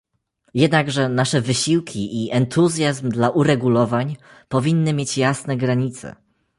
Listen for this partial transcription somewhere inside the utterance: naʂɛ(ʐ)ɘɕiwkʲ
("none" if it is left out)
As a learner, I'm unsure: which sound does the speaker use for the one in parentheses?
v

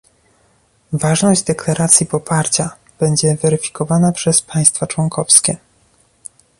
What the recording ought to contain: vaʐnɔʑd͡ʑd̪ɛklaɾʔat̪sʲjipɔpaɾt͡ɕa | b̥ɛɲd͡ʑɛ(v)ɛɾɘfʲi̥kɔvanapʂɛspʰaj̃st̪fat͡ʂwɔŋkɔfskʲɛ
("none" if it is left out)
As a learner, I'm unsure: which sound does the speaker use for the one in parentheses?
v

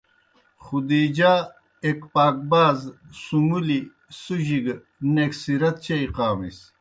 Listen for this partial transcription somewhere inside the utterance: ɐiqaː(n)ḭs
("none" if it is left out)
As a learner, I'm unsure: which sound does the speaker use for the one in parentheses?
m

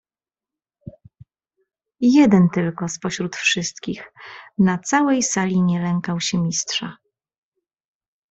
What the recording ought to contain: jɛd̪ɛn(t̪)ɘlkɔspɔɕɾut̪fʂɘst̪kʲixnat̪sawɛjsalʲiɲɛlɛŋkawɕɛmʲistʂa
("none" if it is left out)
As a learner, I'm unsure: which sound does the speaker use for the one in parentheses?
t̪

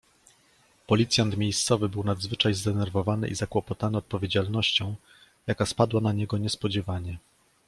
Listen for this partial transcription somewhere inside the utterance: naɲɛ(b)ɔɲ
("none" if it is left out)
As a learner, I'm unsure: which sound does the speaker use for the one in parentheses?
ɡ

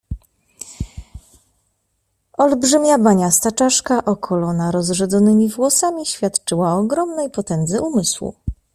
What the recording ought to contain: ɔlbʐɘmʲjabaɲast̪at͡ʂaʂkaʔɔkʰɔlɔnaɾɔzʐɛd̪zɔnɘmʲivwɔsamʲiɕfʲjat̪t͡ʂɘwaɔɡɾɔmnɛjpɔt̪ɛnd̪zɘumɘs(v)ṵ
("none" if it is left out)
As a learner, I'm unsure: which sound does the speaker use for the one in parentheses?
w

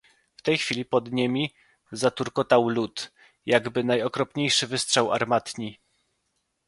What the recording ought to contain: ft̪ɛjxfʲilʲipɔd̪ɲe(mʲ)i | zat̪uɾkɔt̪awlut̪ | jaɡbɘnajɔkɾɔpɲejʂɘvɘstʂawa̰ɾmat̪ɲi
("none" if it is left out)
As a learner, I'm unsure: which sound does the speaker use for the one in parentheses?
mʲ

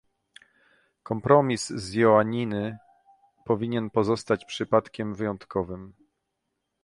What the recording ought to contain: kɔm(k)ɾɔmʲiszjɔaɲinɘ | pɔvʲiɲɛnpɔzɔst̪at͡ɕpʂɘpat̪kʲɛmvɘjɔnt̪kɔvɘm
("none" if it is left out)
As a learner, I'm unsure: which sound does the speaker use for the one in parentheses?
p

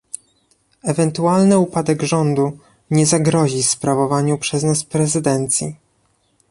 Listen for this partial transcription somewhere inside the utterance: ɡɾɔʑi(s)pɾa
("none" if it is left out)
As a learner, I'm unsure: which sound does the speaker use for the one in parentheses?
s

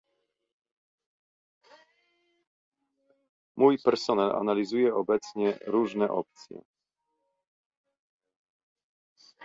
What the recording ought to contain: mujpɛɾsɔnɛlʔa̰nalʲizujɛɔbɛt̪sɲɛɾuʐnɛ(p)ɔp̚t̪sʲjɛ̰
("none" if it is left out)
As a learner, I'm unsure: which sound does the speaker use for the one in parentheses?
ʔ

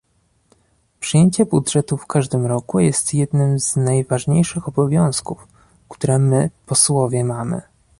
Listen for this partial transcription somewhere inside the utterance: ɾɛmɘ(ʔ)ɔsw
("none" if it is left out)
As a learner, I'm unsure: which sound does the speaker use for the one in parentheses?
p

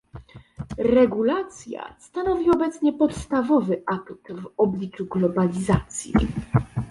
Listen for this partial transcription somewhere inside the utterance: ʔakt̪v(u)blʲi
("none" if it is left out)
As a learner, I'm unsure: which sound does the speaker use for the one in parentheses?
ɔ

